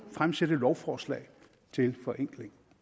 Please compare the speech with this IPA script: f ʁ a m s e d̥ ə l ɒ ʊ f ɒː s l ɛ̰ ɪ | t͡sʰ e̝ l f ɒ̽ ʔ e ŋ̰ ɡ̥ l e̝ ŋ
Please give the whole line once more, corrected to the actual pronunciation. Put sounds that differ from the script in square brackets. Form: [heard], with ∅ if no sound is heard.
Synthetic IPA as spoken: f ʁ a m s e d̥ ə l ɒ ʊ f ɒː s l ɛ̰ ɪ | t͡sʰ e̝ l f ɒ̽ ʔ e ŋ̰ ɡ̥ l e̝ ŋ